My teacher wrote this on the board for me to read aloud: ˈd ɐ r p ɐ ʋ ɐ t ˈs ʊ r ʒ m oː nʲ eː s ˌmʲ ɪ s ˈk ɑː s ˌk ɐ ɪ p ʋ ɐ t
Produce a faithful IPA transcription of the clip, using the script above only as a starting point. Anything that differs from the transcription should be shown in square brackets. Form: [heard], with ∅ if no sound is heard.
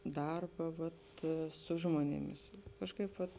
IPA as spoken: ˈd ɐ r [b] ɐ ʋ ɐ t ˈs ʊ [∅] ʒ m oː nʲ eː [∅] ˌmʲ ɪ s ˈk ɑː [ʃ] ˌk ɐ ɪ p ʋ ɐ t